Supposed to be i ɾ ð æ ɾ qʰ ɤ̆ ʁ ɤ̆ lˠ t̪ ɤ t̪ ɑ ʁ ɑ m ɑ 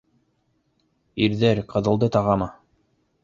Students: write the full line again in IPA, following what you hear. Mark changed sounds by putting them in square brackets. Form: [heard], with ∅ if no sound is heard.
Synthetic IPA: i ɾ ð æ ɾ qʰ ɤ̆ [ð] ɤ̆ lˠ [d̪] ɤ t̪ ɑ ʁ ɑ m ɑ